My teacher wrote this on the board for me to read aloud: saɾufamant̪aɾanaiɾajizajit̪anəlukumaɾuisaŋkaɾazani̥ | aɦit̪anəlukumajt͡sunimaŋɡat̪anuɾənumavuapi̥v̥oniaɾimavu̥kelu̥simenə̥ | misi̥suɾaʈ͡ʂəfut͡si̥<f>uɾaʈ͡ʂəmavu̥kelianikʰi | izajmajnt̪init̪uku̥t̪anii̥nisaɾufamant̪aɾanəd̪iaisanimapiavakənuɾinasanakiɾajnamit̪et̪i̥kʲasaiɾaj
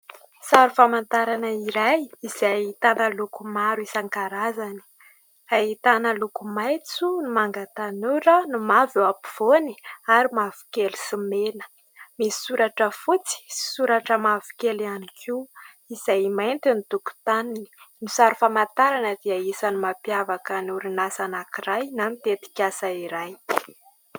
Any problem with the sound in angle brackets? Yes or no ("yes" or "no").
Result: yes